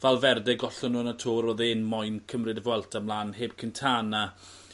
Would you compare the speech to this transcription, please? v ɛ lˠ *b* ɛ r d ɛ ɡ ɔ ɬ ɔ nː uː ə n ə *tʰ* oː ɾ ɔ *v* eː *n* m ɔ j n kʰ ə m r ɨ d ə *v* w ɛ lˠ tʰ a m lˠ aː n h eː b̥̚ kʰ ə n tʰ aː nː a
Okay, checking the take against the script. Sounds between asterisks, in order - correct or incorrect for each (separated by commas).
incorrect, correct, incorrect, correct, correct